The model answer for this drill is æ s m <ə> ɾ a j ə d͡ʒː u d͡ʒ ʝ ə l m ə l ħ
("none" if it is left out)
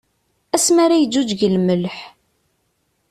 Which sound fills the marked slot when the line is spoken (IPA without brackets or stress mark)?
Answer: a